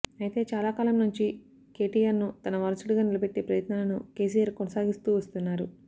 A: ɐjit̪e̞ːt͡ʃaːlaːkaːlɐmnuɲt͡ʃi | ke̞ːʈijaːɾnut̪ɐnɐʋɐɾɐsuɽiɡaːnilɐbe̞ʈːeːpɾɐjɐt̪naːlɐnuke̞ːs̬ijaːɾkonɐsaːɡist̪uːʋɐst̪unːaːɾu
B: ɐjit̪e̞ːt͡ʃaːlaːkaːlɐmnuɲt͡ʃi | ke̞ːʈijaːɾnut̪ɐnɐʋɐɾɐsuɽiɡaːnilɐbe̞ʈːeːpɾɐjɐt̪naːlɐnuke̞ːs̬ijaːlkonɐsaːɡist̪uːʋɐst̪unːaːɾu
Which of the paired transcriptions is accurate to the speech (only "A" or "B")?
A